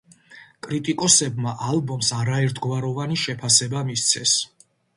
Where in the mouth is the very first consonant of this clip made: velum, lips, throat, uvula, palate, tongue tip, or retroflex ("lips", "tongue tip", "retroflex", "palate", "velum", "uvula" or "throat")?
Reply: velum